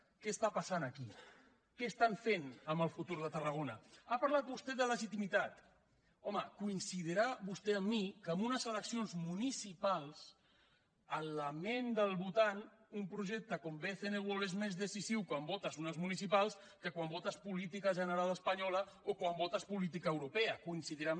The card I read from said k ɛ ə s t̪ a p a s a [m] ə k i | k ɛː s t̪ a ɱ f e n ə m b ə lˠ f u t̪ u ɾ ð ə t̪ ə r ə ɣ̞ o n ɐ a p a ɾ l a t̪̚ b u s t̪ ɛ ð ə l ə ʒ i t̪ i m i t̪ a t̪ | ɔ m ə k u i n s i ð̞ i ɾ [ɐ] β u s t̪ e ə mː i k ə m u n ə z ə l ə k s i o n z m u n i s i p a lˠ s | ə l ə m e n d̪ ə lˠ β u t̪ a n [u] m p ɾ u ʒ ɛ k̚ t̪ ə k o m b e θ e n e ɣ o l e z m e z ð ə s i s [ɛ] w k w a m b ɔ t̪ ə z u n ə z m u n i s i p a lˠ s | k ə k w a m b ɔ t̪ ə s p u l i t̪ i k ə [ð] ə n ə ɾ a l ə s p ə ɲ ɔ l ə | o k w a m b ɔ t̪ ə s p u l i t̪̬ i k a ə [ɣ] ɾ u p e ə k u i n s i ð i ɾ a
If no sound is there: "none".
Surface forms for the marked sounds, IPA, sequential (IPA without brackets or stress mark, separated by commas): n, a, u, i, ʒ, w